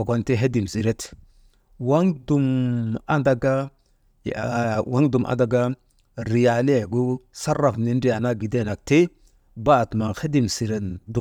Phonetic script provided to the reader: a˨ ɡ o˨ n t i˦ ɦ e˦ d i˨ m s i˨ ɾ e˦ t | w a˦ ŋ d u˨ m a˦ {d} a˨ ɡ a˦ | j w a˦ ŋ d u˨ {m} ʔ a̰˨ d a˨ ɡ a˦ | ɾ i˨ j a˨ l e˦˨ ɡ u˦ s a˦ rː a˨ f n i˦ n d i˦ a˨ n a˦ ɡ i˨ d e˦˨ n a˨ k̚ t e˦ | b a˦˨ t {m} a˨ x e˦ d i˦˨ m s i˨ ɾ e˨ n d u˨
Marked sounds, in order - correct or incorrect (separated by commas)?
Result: correct, correct, correct